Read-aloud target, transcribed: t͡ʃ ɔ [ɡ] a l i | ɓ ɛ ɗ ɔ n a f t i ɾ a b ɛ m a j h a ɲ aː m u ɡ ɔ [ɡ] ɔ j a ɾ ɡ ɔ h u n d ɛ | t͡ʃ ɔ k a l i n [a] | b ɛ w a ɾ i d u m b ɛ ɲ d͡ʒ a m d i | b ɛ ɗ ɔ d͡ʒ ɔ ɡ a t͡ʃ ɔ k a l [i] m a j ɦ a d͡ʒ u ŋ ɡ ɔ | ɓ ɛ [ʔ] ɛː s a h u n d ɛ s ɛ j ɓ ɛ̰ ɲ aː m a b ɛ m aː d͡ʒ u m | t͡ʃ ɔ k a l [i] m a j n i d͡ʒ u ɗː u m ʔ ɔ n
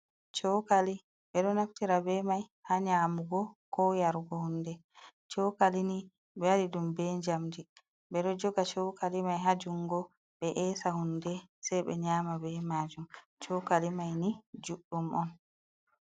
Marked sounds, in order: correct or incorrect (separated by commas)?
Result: incorrect, incorrect, incorrect, correct, correct, correct